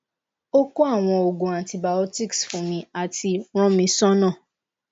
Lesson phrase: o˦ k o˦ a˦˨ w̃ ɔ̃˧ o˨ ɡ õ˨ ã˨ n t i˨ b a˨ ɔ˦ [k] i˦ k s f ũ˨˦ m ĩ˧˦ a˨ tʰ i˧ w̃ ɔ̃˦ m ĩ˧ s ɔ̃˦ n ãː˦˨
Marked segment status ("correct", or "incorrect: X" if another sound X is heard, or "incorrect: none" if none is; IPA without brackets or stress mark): incorrect: t